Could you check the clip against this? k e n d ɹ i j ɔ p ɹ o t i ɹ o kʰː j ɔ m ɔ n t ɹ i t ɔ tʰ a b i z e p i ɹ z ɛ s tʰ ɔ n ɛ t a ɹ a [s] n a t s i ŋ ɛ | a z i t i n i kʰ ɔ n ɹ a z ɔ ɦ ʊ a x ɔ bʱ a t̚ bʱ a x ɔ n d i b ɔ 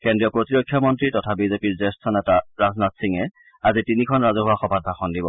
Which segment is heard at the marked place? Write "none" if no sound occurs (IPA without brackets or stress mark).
z